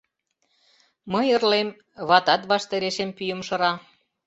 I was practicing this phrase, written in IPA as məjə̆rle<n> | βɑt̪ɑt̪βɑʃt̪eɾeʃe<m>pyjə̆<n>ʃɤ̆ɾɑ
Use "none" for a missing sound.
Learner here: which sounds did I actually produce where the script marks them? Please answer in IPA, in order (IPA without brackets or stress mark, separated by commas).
m, m, m